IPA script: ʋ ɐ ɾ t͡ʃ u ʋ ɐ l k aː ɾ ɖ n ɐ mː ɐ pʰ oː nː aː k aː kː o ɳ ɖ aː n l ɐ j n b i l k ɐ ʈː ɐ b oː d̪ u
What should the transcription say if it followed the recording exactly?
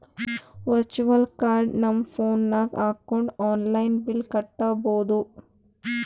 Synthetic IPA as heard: ʋ ɐ ɾ t͡ʃ u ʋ ɐ l k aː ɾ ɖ n ɐ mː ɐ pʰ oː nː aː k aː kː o ɳ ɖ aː n l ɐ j n b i l k ɐ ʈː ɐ b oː d̪ u